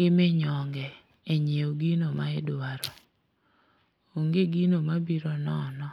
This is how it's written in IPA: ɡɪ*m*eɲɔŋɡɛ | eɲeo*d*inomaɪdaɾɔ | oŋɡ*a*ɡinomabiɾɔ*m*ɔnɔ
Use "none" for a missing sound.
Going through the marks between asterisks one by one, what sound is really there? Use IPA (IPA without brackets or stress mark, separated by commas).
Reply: m, ɡ, e, n